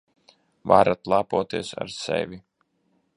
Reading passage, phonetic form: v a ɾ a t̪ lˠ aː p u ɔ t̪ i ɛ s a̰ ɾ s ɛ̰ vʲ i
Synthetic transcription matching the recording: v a ɾ a t̪ lˠ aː p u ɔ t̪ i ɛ s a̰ ɾ s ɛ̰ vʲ i